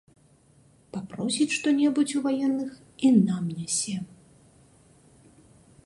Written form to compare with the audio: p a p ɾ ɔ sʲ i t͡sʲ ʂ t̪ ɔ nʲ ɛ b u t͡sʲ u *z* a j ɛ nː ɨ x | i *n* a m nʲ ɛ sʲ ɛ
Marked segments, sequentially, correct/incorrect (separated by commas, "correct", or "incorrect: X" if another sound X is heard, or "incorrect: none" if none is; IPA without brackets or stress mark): incorrect: v, correct